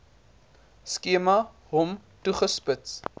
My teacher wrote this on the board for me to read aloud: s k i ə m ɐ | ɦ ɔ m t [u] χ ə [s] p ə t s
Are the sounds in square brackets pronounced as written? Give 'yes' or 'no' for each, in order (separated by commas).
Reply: yes, yes